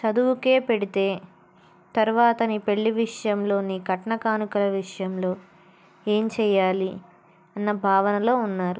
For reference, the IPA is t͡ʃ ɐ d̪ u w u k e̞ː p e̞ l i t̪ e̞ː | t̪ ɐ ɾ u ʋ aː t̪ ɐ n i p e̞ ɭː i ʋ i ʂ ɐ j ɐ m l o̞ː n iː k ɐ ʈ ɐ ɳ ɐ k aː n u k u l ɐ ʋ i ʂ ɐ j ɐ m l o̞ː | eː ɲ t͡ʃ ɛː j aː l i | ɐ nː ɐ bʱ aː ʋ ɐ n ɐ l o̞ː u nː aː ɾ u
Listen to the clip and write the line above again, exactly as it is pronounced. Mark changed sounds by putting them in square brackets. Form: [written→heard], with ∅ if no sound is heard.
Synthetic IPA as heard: t͡ʃ ɐ d̪ u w u k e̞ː p e̞ [l→ɽ] i t̪ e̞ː | t̪ ɐ ɾ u ʋ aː t̪ ɐ n i p e̞ ɭː i ʋ i ʂ ɐ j ɐ m l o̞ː n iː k ɐ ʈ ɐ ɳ ɐ k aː n u k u l ɐ ʋ i ʂ ɐ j ɐ m l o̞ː | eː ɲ t͡ʃ ɛː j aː l i | ɐ nː ɐ bʱ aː ʋ ɐ n ɐ l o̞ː u nː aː ɾ u